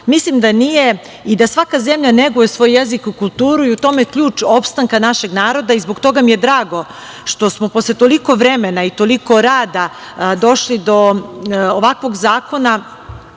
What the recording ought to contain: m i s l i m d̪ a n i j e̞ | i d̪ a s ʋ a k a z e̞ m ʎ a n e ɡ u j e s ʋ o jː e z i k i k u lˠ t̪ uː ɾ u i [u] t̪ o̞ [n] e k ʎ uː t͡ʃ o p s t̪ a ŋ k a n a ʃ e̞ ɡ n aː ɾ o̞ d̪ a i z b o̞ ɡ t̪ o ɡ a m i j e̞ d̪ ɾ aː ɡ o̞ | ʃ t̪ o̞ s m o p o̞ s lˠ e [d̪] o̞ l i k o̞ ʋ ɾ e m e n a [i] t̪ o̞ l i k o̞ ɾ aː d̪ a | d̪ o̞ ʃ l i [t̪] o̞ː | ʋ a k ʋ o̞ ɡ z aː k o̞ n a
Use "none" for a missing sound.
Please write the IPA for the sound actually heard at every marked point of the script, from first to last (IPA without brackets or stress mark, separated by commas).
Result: u, m, t̪, i, d̪